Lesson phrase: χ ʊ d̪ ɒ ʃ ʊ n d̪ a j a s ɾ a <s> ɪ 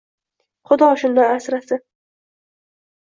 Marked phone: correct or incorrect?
correct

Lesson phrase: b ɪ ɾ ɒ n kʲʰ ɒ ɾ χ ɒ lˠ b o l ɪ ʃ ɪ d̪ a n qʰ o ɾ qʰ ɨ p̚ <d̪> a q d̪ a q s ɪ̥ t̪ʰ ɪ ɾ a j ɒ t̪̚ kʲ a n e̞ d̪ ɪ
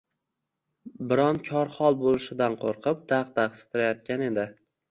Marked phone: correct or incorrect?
correct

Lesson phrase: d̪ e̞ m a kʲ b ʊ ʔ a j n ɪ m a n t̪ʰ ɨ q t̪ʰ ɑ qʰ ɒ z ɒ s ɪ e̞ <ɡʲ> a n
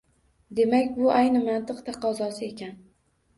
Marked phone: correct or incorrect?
incorrect: kʲ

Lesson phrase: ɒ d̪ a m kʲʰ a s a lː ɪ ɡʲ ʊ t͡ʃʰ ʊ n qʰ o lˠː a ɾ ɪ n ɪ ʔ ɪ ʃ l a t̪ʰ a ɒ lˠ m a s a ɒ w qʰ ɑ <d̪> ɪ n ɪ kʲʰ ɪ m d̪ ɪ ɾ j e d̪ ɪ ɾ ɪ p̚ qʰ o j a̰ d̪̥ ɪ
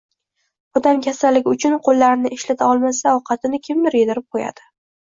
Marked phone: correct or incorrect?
incorrect: t̪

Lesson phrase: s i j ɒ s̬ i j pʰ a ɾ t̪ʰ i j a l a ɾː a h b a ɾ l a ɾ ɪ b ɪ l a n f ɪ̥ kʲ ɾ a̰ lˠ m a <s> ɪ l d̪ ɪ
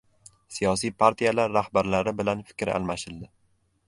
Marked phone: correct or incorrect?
incorrect: ʃ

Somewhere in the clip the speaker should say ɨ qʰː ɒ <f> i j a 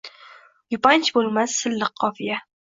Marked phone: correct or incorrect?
correct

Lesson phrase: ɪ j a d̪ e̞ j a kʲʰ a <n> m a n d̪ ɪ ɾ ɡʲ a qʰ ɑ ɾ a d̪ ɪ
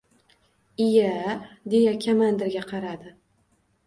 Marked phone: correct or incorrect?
incorrect: none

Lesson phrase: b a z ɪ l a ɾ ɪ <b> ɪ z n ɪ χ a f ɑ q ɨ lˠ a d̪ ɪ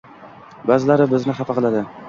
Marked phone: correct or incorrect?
correct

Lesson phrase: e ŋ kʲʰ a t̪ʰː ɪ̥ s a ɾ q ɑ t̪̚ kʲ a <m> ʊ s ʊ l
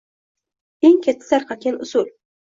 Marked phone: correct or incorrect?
incorrect: n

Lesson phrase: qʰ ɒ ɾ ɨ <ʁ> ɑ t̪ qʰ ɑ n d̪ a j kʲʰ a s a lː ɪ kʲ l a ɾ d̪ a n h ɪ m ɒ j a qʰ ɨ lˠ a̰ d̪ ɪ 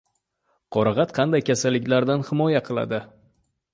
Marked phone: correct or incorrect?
correct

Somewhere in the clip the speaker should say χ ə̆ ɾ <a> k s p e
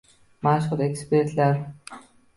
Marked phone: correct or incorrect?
incorrect: e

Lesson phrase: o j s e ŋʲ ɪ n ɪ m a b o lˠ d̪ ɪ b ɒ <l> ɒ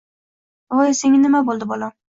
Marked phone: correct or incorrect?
correct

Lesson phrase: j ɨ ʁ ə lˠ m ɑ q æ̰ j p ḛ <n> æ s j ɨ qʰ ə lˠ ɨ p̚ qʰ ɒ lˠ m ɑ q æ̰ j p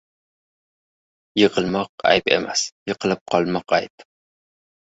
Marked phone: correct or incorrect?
incorrect: m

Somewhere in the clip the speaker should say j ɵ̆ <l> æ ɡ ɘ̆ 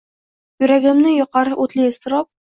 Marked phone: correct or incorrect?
incorrect: ɾ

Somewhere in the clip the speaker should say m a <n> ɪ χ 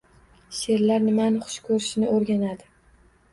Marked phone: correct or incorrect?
correct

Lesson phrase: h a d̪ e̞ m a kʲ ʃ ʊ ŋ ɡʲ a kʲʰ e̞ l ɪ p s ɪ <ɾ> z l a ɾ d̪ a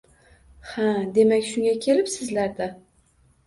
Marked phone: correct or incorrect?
incorrect: none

